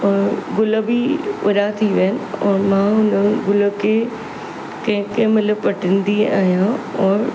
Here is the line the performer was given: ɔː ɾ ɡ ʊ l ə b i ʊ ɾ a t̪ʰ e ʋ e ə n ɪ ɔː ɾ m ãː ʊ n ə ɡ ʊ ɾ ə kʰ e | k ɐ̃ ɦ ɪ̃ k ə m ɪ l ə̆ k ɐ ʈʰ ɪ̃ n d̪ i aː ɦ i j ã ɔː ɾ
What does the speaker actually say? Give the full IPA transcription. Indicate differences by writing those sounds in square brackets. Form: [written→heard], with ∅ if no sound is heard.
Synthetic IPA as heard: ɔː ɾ ɡ ʊ l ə b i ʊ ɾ a t̪ʰ [e→i] ʋ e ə n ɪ ɔː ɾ m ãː ʊ n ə ɡ ʊ [ɾ→l] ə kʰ e | k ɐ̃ ɦ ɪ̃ k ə m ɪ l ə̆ [k→p] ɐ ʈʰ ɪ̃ n d̪ i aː ɦ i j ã ɔː ɾ